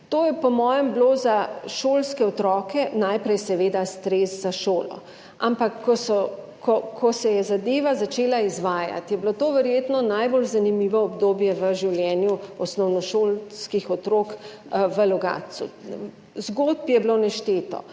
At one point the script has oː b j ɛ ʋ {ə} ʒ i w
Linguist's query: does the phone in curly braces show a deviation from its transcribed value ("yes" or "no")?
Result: no